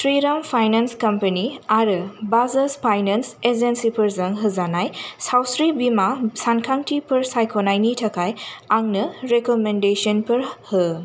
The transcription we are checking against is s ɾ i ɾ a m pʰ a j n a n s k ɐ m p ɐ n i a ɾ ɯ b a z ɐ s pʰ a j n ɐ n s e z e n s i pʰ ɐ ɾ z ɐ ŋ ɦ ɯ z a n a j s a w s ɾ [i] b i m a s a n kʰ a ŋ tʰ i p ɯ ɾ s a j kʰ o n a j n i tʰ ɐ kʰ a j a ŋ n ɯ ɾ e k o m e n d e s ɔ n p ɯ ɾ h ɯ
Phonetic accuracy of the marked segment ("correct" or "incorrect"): correct